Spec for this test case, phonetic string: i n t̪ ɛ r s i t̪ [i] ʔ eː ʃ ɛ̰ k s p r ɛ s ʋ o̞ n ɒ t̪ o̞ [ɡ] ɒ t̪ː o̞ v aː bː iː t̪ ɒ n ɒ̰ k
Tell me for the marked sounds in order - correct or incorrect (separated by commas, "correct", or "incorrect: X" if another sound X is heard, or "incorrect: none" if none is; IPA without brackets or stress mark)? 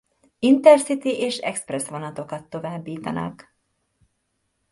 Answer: correct, incorrect: k